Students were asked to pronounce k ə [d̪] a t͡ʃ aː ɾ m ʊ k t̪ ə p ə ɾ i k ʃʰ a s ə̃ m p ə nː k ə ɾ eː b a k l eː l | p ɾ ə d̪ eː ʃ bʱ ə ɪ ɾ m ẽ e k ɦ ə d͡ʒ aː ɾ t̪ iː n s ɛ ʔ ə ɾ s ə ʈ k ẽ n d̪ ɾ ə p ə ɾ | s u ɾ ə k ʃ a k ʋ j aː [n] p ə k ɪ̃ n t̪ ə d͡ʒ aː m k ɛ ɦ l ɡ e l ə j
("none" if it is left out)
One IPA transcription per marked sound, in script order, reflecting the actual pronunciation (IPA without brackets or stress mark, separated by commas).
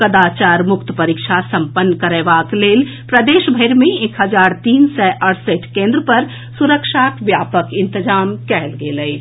d̪, none